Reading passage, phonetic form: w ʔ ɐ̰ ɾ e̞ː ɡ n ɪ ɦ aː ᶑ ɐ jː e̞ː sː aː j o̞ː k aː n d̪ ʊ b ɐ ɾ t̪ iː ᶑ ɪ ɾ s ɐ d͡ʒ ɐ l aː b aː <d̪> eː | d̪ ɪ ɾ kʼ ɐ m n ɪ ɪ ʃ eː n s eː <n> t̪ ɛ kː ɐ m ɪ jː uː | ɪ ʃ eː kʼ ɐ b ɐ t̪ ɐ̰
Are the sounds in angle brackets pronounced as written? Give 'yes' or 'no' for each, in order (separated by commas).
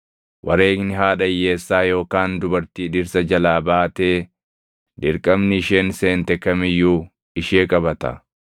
no, yes